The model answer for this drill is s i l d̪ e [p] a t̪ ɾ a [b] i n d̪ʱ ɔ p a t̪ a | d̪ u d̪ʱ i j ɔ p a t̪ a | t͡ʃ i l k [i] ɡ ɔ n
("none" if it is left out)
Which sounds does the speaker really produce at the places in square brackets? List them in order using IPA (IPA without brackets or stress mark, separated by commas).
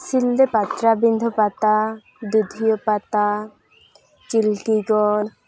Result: p, b, i